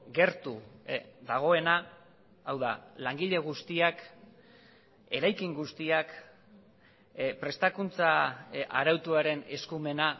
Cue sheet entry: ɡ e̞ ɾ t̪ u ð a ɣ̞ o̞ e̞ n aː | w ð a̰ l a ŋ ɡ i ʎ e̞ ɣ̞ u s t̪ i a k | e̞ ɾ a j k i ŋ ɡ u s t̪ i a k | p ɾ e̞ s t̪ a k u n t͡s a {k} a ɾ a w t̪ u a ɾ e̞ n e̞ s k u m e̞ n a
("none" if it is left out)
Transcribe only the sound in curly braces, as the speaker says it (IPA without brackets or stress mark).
none